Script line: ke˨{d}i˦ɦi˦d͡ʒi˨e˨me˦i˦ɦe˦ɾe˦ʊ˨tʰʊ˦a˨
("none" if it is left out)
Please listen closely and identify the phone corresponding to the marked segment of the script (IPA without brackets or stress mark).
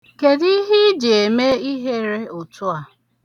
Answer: d